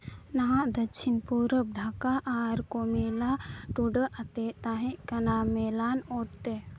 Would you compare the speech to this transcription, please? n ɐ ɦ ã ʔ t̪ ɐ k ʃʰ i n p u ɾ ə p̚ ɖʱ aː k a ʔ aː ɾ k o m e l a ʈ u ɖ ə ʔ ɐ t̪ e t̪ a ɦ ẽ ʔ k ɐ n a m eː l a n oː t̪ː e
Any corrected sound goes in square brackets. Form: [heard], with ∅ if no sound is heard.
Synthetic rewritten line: n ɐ ɦ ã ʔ [d̪] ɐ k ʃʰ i n p u ɾ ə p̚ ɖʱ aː k a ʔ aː ɾ k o m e l a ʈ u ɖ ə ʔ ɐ t̪ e t̪ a ɦ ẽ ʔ k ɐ n a m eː l a n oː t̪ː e